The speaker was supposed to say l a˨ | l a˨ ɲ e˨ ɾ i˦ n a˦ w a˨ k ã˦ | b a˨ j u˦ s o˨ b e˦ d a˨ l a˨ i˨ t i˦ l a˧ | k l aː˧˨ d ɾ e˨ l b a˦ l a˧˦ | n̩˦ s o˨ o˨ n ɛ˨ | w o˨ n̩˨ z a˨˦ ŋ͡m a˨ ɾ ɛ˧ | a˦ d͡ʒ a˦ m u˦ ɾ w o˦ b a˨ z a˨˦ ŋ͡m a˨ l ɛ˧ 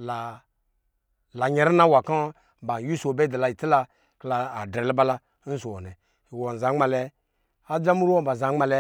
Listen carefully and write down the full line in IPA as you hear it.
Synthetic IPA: l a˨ | l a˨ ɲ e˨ ɾ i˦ n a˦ w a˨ k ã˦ | b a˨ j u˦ s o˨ b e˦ d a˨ l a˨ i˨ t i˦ l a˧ | k l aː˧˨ d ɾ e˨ l b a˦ l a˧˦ | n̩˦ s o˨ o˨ n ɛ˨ | w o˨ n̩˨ z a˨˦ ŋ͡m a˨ l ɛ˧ | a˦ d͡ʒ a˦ m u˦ ɾ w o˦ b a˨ z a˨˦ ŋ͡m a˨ l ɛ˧